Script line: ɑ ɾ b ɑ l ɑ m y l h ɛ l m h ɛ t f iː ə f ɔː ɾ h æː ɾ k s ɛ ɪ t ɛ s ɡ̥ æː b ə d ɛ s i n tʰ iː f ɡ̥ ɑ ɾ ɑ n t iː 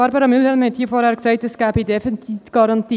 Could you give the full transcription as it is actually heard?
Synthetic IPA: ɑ ɾ b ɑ ɾ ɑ m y l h ɛ l m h ɛ t h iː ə f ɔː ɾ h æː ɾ k s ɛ ɪ t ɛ s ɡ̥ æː b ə d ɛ f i n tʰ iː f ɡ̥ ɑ ɾ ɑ n t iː

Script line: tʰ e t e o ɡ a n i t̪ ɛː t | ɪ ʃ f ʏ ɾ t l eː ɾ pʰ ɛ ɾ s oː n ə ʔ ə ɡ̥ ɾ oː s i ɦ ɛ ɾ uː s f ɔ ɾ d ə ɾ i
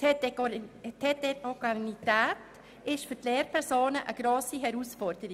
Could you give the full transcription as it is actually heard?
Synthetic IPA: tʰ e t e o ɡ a n i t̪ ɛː t | ɪ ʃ f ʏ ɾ t l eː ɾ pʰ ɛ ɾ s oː n ə ʔ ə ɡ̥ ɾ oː s i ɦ ɛ ɾ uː s f ɔ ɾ d ə ɾ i

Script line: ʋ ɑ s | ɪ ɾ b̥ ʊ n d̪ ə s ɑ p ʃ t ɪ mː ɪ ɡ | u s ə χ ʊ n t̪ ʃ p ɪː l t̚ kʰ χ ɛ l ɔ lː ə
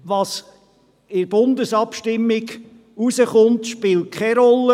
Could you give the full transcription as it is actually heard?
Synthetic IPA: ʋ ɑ s | ɪ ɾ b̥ ʊ n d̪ ə s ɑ p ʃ t ɪ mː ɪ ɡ | u s ə χ ʊ n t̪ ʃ p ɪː l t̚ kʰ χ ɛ ɾ ɔ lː ə

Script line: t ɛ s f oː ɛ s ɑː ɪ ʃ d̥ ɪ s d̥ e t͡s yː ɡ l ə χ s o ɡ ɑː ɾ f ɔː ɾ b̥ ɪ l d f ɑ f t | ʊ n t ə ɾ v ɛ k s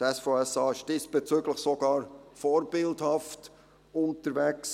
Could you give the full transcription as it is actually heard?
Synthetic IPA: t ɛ s f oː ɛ s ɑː ɪ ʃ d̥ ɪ s b̥ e t͡s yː ɡ l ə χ s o ɡ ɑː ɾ f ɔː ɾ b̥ ɪ l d h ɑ f t | ʊ n t ə ɾ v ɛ k s

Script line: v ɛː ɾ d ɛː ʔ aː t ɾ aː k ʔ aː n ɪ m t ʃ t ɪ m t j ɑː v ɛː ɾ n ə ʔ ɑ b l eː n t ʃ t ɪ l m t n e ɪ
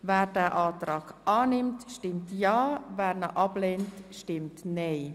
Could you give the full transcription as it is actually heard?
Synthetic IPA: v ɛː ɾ d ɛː ʔ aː t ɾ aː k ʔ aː n ɪ m t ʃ t ɪ m t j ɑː v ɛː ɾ n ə ʔ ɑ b l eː n t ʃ t ɪ m t n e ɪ

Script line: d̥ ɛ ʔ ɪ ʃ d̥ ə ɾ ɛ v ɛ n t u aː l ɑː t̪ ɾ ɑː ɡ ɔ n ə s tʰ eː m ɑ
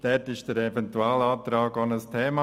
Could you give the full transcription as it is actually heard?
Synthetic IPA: d̥ ɛ t ɪ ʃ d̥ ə ɾ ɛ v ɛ n t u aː l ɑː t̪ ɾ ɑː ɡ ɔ n ə s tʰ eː m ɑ

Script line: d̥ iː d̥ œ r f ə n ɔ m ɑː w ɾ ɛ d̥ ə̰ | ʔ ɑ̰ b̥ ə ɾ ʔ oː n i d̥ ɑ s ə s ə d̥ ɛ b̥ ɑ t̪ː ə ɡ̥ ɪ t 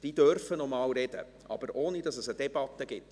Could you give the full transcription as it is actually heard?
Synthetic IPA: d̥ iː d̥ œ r f ə n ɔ m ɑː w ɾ ɛ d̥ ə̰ | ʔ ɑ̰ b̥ ə ɾ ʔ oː n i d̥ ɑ s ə s ə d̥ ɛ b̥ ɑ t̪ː ə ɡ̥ ɪ t

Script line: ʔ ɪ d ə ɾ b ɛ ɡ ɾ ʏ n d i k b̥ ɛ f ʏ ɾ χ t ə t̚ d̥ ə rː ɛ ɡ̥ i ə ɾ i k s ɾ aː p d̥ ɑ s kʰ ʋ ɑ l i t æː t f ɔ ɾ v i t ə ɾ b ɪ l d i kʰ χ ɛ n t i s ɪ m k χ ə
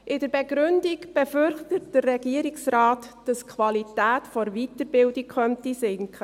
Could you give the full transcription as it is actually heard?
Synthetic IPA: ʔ ɪ d ə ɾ b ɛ ɡ ɾ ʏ n d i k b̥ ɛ f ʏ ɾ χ t ə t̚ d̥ ə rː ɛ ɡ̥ i ə ɾ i k s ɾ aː t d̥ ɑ s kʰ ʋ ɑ l i t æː t f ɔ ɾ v i t ə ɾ b ɪ l d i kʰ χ œ n t i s ɪ ŋ k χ ə

